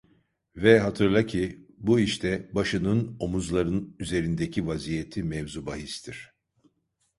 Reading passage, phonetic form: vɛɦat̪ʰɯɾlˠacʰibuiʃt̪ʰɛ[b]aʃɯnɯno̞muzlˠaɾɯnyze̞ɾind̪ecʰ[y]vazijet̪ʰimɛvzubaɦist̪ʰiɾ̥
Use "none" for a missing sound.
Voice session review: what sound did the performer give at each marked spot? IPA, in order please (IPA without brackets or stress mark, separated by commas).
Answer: b, i